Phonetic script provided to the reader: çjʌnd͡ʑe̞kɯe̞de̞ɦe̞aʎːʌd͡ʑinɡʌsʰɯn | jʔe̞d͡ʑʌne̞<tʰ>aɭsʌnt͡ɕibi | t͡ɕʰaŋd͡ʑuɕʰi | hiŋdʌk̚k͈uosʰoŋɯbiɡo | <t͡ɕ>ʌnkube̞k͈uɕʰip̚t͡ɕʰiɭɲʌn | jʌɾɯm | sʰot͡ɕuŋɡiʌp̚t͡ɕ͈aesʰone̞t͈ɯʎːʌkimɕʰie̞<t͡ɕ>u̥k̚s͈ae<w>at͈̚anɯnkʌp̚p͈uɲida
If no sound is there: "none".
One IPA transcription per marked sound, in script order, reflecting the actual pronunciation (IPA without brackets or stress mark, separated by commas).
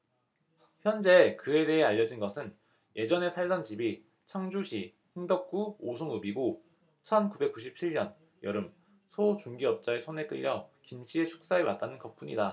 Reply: sʰ, t͡ɕʰ, t͡ɕʰ, w